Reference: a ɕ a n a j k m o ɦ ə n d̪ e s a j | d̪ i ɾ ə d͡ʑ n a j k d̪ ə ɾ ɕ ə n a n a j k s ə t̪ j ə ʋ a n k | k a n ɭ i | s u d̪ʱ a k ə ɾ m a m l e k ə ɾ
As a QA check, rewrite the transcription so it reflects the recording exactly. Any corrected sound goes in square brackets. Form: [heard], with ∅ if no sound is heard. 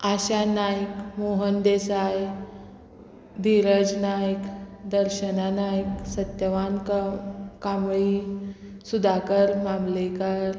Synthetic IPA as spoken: a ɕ a n a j k m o ɦ ə n d̪ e s a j | d̪ i ɾ ə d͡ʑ n a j k d̪ ə ɾ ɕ ə n a n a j k s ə t̪ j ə ʋ a n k | k a [m] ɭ i | s u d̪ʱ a k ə ɾ m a m l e k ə ɾ